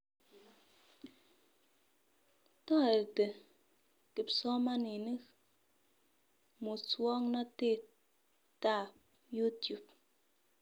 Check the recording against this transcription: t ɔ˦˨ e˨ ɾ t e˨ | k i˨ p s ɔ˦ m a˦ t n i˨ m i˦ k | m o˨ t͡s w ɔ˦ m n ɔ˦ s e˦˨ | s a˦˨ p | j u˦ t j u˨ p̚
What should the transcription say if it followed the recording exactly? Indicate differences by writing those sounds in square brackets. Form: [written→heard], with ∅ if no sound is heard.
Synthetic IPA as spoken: t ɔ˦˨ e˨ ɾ t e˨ | k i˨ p s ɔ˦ m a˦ [t→∅] n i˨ [m→n] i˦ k | m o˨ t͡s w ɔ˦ [m→ŋ] n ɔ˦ [s→t] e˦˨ | [s→t] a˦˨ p | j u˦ t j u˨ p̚